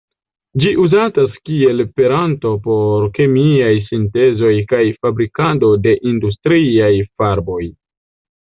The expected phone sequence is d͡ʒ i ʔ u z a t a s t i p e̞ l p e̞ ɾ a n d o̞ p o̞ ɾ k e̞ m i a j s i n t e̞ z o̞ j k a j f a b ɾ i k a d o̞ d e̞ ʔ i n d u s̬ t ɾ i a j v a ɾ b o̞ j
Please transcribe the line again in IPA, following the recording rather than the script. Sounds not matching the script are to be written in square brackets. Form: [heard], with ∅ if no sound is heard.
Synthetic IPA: d͡ʒ i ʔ u z a t a s [k] i [∅] e̞ l p e̞ ɾ a n [t] o̞ p o̞ ɾ k e̞ m i a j s i n t e̞ z o̞ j k a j f a b ɾ i k a d o̞ d e̞ ʔ i n d u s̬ t ɾ i a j [f] a ɾ b o̞ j